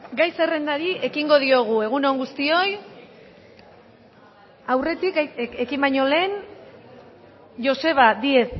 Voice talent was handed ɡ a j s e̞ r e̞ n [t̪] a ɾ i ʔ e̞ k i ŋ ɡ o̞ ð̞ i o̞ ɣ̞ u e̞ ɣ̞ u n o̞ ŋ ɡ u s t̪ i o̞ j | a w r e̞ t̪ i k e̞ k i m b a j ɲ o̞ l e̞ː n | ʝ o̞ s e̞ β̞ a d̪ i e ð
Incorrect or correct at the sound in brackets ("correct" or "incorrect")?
incorrect